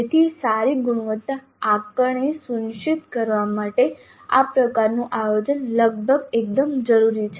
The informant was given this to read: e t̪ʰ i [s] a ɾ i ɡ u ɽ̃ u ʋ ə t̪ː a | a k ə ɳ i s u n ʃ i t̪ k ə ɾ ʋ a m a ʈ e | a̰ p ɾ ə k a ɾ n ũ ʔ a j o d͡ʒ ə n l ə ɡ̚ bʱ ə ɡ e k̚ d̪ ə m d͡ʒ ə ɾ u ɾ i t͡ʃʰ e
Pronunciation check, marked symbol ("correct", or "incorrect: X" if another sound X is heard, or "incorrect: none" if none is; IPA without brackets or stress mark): correct